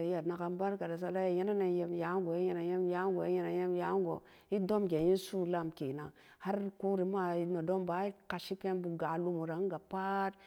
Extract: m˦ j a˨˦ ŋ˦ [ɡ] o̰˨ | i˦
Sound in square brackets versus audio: correct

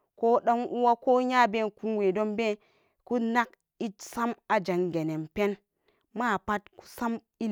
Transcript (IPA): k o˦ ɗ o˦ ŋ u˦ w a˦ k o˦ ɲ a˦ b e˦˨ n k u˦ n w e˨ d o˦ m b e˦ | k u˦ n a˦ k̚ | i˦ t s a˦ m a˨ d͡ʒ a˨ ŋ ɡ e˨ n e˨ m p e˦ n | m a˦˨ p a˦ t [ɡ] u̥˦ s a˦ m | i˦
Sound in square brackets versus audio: incorrect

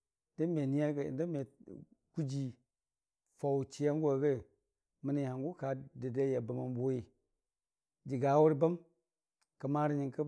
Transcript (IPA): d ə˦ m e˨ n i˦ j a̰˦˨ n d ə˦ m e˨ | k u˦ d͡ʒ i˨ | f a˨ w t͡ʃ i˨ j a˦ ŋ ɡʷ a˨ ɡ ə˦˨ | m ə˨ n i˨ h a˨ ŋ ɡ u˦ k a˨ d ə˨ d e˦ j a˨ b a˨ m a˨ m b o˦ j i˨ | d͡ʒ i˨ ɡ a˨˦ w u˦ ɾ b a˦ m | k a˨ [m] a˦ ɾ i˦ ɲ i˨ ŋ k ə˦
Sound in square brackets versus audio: correct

